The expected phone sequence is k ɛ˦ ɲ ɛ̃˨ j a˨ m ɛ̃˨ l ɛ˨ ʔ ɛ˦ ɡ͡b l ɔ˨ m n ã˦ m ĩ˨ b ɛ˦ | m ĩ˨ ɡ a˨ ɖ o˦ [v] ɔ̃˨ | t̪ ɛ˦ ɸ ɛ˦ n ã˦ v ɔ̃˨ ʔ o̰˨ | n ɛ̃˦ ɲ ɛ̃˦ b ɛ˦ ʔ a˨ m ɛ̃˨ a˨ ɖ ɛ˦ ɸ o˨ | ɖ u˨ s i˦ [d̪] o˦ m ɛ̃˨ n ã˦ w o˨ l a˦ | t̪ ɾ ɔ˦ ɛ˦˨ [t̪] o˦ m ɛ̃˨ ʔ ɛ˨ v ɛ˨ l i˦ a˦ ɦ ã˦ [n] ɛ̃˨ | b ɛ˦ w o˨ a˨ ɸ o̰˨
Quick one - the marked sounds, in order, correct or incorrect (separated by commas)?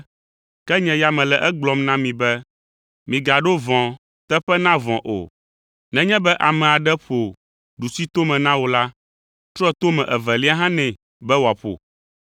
correct, incorrect, correct, correct